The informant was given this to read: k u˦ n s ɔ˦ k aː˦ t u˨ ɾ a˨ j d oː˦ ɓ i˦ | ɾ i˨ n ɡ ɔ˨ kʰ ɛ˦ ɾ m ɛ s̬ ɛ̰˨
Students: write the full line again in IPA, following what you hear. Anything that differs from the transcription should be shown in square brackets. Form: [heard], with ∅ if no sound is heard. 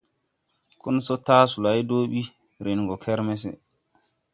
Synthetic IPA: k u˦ n s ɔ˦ [t] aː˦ [s] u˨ [l] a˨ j d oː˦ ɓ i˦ | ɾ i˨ n ɡ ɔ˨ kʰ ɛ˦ ɾ m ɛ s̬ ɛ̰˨